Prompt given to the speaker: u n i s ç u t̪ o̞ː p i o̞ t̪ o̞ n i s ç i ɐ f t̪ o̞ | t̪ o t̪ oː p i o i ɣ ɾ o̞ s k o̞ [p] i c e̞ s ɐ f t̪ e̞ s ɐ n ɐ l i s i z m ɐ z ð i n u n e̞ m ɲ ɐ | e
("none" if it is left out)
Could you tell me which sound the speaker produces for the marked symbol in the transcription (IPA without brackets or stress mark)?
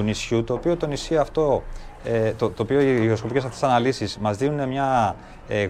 p